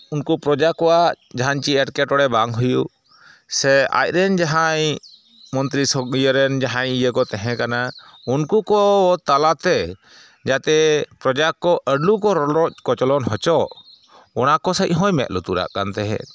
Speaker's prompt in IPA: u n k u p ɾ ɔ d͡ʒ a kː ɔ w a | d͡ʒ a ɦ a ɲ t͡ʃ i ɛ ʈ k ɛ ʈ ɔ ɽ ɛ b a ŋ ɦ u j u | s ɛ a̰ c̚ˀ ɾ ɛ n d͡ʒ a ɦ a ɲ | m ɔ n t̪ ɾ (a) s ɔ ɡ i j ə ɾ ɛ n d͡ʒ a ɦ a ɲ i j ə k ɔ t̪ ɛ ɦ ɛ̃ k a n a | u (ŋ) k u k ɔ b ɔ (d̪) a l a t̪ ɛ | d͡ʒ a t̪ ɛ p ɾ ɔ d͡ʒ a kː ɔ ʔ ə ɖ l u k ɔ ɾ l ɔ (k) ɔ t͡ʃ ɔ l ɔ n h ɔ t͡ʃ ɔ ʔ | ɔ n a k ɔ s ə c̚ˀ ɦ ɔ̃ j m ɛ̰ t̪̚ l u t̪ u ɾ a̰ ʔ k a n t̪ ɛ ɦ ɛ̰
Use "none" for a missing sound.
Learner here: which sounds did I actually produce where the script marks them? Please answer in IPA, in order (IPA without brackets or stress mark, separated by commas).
i, n, t̪, k